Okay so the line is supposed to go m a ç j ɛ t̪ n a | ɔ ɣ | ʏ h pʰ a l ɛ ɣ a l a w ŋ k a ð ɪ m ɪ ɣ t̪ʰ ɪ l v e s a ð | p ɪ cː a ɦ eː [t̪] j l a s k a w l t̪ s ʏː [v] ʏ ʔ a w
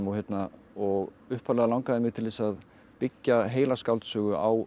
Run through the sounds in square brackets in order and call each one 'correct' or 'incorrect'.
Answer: incorrect: none, incorrect: ɣ

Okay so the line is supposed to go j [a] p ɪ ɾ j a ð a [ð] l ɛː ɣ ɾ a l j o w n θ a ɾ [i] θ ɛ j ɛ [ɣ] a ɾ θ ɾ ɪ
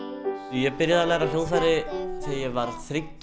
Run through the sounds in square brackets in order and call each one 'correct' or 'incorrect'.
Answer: incorrect: ɛ, incorrect: none, incorrect: ɪ, incorrect: v

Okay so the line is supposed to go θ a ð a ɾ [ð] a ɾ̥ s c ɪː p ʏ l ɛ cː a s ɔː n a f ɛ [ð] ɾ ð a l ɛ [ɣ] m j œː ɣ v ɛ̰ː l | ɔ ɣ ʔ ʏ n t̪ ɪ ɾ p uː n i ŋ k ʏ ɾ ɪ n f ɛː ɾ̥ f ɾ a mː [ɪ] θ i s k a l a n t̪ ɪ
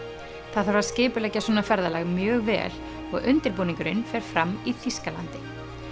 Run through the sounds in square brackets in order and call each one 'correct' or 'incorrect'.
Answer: incorrect: v, incorrect: none, correct, incorrect: i

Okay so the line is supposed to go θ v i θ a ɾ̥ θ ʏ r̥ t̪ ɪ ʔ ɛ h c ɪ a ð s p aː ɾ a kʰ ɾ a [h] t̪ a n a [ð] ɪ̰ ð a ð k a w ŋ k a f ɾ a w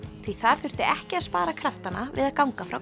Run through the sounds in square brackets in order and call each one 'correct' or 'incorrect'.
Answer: incorrect: f, incorrect: v

